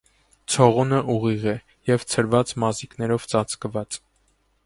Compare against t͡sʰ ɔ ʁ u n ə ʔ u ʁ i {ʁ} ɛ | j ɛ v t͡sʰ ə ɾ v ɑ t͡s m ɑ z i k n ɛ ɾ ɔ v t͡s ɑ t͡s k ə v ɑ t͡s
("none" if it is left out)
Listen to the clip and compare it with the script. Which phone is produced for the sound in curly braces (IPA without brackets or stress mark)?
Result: ʁ